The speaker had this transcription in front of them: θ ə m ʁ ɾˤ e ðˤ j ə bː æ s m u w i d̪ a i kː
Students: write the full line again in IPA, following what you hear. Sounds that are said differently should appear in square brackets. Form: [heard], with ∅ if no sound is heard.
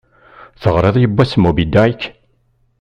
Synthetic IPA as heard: θ ə [∅] ʁ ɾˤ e ðˤ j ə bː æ s m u [b] i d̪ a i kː